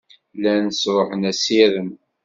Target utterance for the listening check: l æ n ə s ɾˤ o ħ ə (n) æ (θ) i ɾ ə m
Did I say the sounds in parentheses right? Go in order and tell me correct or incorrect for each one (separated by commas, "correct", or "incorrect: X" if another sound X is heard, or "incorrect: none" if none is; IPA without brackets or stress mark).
correct, incorrect: s